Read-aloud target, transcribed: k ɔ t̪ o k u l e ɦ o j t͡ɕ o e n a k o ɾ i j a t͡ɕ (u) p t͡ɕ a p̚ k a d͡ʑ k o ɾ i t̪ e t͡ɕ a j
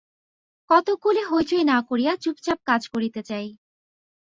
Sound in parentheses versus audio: correct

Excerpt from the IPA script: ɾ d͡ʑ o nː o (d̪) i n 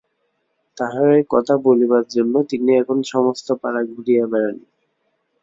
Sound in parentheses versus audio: incorrect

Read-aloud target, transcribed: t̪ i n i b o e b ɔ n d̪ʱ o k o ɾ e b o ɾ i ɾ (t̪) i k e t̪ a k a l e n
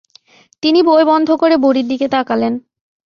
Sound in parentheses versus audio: incorrect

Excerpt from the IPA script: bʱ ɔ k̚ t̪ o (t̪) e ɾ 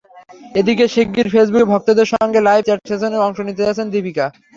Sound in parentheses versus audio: incorrect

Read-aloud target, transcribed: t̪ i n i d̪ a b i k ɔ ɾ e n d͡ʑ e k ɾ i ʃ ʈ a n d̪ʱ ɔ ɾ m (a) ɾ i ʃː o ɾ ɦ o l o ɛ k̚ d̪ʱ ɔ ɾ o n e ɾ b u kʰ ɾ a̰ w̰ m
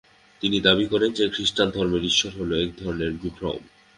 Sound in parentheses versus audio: incorrect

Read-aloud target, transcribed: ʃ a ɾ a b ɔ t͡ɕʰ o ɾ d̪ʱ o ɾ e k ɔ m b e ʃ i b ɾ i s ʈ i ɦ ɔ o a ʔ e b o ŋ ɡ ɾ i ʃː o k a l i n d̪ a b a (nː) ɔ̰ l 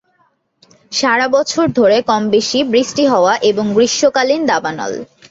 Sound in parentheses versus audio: incorrect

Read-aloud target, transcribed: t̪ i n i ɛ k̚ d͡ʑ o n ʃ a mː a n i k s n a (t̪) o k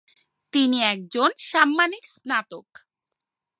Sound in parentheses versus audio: correct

